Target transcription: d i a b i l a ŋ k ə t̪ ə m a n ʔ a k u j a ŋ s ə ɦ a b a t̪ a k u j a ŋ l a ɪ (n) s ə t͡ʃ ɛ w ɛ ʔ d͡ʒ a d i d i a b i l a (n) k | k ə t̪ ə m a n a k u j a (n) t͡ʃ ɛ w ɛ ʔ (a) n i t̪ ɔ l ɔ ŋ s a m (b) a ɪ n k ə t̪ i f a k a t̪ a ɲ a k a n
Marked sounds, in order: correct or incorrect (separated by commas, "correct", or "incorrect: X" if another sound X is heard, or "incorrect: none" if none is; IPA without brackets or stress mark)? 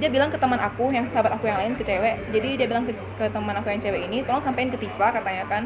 correct, incorrect: ŋ, incorrect: ŋ, incorrect: i, incorrect: p